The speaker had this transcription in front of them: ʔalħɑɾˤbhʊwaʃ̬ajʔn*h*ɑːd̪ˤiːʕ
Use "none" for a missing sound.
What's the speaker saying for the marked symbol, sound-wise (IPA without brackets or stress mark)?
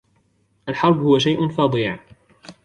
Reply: f